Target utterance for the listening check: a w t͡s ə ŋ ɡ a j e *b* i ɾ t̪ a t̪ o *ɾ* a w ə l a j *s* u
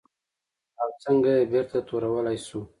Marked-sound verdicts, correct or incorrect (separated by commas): correct, correct, correct